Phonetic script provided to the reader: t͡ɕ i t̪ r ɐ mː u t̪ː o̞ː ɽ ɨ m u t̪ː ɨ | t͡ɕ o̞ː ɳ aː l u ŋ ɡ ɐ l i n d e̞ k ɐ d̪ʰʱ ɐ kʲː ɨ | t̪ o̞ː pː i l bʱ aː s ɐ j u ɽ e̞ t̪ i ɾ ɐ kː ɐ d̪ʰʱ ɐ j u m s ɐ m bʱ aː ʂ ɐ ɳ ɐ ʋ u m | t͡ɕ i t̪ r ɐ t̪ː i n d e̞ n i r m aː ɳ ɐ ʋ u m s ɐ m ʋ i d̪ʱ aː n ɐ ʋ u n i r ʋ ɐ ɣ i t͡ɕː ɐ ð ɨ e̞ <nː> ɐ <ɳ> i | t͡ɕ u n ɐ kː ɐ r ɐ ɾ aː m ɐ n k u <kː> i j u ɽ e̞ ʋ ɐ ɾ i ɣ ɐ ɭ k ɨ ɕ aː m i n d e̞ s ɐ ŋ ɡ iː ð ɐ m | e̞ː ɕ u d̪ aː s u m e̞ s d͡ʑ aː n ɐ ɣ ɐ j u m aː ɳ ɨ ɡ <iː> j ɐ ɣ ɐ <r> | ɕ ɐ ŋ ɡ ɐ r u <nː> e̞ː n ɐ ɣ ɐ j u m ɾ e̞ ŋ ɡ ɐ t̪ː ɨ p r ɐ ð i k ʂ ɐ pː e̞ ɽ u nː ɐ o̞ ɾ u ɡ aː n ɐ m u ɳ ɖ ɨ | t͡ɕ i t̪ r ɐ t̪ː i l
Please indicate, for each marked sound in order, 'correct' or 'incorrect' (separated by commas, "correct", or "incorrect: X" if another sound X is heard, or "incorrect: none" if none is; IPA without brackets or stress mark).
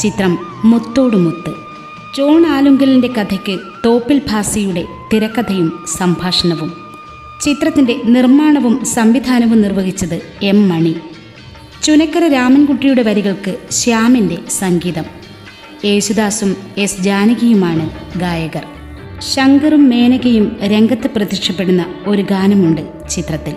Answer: incorrect: mː, correct, incorrect: ʈː, incorrect: aː, correct, incorrect: mː